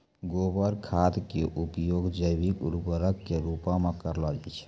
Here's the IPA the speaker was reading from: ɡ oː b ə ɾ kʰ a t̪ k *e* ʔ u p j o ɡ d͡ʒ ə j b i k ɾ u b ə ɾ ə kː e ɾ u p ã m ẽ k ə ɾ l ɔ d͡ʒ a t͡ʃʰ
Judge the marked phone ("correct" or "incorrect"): correct